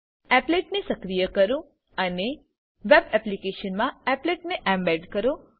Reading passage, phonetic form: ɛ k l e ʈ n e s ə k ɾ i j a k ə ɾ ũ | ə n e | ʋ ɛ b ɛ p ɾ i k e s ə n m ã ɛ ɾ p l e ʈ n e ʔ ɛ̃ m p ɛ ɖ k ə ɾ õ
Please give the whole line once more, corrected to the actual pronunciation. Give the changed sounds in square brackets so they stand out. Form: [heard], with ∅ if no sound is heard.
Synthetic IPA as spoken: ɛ [p] l e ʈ n e s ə k ɾ i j [ə] k ə ɾ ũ | ə n e | ʋ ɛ b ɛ p [l] i k e [ʃ] ə n m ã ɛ [∅] p l e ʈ n e ʔ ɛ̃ m [b] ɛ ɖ k ə ɾ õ